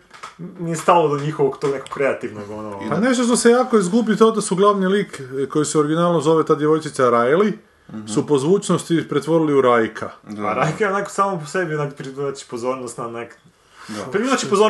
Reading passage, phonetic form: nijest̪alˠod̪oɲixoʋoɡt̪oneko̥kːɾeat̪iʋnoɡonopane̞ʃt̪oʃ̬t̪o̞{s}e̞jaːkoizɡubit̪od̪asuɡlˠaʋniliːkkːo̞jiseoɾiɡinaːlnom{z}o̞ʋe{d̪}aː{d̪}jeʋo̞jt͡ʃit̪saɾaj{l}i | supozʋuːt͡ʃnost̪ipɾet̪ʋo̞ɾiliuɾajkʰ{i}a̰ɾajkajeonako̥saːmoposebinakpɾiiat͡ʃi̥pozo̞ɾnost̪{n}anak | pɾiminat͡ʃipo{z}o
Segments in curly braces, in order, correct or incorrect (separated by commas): correct, correct, incorrect, correct, correct, incorrect, correct, correct